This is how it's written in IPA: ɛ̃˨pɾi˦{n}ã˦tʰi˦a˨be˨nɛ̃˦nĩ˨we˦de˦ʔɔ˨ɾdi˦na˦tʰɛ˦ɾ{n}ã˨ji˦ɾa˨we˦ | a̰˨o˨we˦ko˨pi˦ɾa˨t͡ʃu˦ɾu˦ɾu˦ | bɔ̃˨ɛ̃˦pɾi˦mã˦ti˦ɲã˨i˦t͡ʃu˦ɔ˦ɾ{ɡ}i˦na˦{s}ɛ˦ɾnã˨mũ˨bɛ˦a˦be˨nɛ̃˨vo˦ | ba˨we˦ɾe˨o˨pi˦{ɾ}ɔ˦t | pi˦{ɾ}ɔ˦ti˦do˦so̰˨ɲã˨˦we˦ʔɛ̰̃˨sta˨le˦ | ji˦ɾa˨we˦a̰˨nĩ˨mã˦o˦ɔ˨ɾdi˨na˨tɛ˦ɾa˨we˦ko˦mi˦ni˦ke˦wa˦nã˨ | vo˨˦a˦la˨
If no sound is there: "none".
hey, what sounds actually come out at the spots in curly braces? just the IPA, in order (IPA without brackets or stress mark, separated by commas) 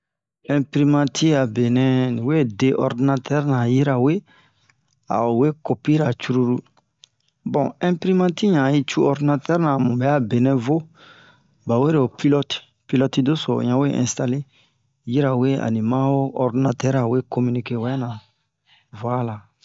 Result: m, n, d, t, l, l